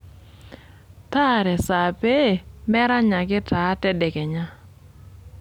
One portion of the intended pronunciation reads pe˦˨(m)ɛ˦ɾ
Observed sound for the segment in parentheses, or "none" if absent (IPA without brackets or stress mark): m